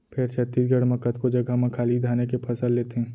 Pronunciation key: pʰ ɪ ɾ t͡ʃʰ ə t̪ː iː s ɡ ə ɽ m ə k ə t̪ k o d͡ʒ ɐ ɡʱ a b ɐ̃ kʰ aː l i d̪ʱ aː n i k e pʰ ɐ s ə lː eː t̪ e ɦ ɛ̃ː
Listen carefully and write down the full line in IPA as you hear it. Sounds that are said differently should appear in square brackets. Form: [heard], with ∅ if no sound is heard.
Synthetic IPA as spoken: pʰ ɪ ɾ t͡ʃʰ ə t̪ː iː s ɡ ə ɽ m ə k ə t̪ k o d͡ʒ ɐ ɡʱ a [m] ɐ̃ kʰ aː l i d̪ʱ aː n [e] k e pʰ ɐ s ə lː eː t̪ e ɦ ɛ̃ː